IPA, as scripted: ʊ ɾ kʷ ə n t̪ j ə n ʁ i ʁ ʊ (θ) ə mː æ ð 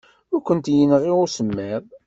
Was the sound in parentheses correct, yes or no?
no